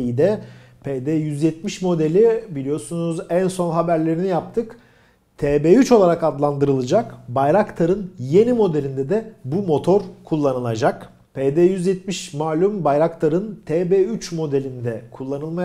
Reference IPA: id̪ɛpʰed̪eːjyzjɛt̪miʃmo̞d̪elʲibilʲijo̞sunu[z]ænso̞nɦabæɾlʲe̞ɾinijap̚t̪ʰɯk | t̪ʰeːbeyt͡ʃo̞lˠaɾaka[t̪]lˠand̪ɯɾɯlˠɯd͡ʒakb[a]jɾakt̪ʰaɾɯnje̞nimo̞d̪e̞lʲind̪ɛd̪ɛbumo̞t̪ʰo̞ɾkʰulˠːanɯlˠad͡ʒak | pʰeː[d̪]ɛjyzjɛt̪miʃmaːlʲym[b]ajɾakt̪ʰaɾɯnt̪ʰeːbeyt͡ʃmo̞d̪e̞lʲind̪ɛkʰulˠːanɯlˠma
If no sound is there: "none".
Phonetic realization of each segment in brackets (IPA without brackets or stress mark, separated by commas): z, d̪, a, d̪, b